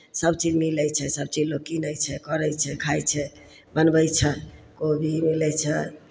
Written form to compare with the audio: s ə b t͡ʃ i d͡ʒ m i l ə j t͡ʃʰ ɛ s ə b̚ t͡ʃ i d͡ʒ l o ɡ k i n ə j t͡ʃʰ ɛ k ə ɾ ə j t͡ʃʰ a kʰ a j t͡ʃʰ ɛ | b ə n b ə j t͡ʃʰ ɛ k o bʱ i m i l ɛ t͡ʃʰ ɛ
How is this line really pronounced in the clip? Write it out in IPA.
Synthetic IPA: s ə b t͡ʃ i d͡ʒ m i l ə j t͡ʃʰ ɛ s ə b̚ t͡ʃ i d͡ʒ l o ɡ k i n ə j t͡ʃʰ ɛ k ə ɾ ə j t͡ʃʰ ɛ kʰ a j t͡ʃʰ ɛ | b ə n b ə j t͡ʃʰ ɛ k o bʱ i m i l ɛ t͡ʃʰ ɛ